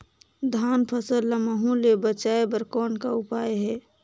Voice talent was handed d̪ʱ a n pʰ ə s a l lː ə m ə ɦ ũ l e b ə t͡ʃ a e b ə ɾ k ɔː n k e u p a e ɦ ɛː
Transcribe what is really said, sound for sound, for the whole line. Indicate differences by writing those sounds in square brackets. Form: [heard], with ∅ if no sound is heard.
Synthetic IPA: d̪ʱ a n pʰ ə s [ə] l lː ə m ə ɦ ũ l e b ə t͡ʃ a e b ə ɾ k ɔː n k [a] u p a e ɦ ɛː